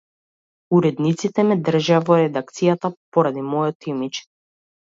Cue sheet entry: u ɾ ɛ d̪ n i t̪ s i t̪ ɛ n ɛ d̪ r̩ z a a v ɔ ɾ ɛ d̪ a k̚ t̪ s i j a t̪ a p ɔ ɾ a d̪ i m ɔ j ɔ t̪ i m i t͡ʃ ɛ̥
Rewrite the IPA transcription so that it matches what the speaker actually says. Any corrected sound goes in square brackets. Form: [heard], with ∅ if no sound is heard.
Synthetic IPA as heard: u ɾ ɛ d̪ n i t̪ s i t̪ ɛ [m] ɛ d̪ r̩ [ʒ] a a v ɔ ɾ ɛ d̪ a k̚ t̪ s i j a t̪ a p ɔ ɾ a d̪ i m ɔ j ɔ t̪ i m i t͡ʃ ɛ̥